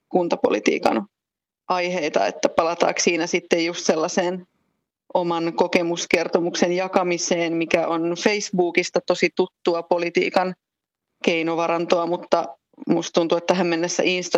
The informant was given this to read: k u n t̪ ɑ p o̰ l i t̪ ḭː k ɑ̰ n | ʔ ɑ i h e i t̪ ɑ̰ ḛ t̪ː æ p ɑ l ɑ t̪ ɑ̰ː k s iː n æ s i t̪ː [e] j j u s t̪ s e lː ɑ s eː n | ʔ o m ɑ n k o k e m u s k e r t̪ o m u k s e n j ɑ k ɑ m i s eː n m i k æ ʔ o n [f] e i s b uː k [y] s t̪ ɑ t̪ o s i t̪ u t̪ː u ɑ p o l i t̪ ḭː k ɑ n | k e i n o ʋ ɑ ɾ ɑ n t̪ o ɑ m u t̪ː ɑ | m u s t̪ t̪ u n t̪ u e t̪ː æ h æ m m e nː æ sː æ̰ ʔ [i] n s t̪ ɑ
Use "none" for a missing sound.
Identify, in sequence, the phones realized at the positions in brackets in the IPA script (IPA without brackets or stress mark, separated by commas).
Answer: e, f, i, i